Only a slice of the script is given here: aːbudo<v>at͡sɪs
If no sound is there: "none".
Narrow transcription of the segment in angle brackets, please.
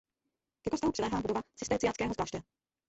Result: v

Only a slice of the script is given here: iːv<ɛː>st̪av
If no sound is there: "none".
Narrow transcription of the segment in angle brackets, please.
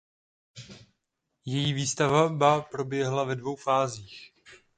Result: iː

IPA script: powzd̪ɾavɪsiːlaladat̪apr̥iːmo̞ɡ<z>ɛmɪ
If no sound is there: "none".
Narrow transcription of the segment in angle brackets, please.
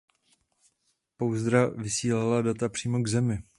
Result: z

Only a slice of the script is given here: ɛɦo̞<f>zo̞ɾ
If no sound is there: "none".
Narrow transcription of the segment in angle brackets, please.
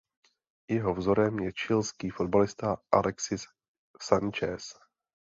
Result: v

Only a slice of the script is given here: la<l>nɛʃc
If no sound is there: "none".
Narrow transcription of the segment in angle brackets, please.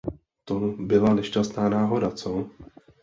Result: none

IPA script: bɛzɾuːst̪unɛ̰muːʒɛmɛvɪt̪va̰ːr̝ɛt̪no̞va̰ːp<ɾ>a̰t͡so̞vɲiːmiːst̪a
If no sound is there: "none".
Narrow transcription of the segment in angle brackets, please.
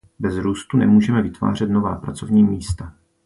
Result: ɾ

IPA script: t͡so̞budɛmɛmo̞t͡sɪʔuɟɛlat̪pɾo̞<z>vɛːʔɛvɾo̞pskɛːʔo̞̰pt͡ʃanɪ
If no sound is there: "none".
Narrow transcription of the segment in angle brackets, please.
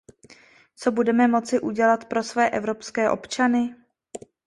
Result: s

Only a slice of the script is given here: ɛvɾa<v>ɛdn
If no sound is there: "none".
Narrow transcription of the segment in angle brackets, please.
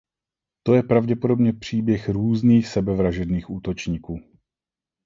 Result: ʒ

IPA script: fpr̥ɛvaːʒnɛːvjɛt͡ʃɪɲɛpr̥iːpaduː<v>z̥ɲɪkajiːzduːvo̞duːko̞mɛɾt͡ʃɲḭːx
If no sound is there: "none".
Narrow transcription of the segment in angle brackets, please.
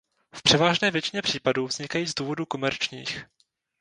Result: v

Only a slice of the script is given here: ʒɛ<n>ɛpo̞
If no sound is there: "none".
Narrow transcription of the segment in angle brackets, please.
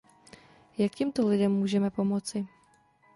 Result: m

